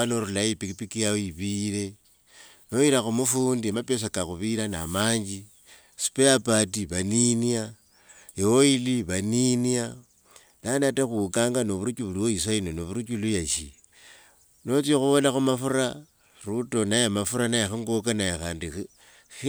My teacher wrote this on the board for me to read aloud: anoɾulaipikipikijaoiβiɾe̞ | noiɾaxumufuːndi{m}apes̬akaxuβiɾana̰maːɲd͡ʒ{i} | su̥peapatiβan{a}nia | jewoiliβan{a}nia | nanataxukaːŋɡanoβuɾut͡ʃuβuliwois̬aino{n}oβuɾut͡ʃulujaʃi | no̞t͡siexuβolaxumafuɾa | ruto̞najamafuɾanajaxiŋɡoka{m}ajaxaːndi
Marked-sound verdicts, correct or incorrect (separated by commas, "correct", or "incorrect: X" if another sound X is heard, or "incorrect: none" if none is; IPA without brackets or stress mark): correct, correct, incorrect: i, incorrect: i, correct, incorrect: n